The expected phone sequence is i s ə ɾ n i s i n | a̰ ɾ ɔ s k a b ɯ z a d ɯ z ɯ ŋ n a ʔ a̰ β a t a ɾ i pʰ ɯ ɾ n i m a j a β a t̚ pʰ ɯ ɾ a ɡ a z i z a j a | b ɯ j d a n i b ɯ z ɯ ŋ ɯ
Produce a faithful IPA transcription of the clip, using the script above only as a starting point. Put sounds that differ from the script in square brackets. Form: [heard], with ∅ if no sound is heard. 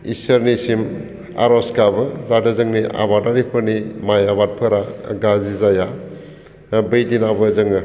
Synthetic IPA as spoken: i s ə ɾ n i s i [m] | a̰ ɾ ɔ s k a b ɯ z a d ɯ z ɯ ŋ n [i] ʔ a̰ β a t a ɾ i pʰ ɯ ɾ n i m a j a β a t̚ pʰ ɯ ɾ a ɡ a z i z a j a | b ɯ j d [i] n [a] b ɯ z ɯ ŋ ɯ

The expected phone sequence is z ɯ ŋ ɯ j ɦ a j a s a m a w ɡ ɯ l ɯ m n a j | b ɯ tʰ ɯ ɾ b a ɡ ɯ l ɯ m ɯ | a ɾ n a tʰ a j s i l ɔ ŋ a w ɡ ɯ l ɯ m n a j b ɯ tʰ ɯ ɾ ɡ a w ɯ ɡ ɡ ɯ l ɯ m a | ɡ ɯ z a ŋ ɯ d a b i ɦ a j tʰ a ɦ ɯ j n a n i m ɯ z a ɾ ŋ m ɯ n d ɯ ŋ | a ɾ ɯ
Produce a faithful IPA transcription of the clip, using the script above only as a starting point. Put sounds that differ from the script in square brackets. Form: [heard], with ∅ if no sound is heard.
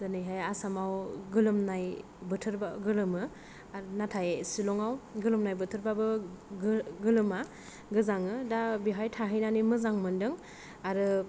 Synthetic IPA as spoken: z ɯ [n] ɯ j ɦ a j a s a m a w ɡ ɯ l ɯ m n a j | b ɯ tʰ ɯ ɾ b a ɡ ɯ l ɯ m ɯ | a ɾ n a tʰ a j s i l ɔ ŋ a w ɡ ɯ l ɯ m n a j b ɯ tʰ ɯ ɾ [b] a [b] ɯ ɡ ɡ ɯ l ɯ m a | ɡ ɯ z a ŋ ɯ d a b i ɦ a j tʰ a ɦ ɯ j n a n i m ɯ z a [∅] ŋ m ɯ n d ɯ ŋ | a ɾ ɯ

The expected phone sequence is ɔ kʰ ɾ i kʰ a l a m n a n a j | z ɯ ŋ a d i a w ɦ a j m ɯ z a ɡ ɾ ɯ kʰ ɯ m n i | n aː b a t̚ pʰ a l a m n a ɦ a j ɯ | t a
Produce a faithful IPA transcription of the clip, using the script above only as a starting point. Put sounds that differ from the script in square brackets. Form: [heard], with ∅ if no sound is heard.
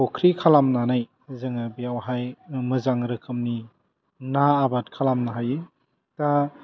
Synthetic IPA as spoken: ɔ kʰ ɾ i kʰ a l a m n a n a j | z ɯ ŋ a [b] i a w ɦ a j m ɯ z a [ŋ] ɾ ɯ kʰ ɯ m n i | n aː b a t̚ [kʰ] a l a m n a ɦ a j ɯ | t a

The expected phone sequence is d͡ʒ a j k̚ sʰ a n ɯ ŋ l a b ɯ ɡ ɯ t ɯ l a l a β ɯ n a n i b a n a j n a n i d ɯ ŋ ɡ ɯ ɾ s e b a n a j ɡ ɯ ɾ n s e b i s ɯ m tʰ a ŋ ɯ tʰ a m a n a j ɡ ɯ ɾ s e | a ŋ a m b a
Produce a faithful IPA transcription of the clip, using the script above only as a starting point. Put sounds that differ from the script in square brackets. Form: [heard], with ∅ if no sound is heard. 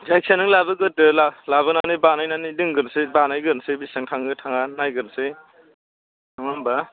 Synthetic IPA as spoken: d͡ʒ a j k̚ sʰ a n ɯ ŋ l a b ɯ ɡ ɯ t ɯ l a l a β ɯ n a n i b a n a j n a n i d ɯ ŋ ɡ ɯ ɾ s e b a n a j ɡ ɯ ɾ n s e b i s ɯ [ŋ] tʰ a ŋ ɯ tʰ a [ŋ] a n a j ɡ ɯ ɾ s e | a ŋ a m b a

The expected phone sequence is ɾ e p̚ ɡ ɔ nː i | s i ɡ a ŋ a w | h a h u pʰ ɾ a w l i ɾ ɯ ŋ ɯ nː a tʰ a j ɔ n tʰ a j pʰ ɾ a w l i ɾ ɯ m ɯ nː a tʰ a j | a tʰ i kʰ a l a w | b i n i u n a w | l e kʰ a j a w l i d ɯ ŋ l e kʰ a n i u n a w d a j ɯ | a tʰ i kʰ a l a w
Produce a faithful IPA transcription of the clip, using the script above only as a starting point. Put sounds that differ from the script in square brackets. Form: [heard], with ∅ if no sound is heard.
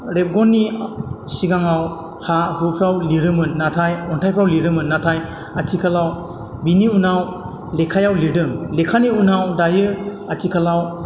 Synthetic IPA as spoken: ɾ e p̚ ɡ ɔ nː i | s i ɡ a ŋ a w | h a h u pʰ ɾ a w l i ɾ ɯ [m] ɯ nː a tʰ a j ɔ n tʰ a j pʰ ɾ a w l i ɾ ɯ m ɯ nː a tʰ a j | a tʰ i kʰ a l a w | b i n i u n a w | l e kʰ a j a w l i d ɯ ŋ l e kʰ a n i u n a w d a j ɯ | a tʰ i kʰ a l a w

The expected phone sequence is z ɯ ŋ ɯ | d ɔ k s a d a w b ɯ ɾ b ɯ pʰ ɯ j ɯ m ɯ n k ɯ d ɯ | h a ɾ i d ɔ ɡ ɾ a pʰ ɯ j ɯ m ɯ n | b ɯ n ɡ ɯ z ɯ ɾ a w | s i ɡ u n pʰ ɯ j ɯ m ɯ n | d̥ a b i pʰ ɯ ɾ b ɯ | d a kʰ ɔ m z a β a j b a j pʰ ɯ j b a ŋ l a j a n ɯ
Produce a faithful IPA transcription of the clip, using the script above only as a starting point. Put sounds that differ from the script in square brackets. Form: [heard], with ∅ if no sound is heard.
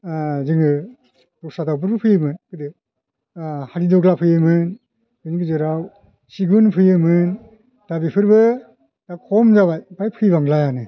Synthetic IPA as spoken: z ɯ ŋ ɯ | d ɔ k s a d a w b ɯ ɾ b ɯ pʰ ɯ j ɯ m ɯ n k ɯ d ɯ | h a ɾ i d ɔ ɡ [l] a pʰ ɯ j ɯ m ɯ n | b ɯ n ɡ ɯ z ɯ ɾ a w | s i ɡ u n pʰ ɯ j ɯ m ɯ n | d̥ a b i pʰ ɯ ɾ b ɯ | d a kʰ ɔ m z a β a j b a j pʰ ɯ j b a ŋ l a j a n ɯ

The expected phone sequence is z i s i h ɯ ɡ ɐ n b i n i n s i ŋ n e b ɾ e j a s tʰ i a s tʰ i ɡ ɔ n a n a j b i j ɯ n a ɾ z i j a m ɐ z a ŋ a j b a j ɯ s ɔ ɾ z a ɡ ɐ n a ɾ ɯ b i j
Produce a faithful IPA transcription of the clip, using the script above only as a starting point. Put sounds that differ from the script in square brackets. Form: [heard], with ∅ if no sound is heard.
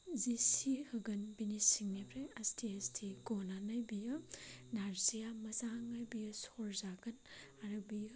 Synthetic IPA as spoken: z i s i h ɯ ɡ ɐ n b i n i [∅] s i ŋ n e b ɾ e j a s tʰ i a s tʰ i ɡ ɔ n a n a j b i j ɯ n a ɾ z i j a m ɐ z a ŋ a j b [i] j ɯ s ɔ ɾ z a ɡ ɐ n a ɾ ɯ b i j

